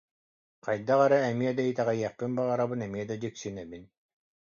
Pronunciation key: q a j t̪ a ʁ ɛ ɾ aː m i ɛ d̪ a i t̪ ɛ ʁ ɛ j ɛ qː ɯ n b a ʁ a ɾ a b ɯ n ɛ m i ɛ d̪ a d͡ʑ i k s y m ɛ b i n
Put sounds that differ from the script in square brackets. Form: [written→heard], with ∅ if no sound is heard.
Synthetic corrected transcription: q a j [t̪→d̪] a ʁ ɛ ɾ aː m i ɛ d̪ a i t̪ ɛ ʁ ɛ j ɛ qː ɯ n b a ʁ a ɾ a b ɯ n ɛ m i ɛ d̪ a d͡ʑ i k s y [m→n] ɛ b i n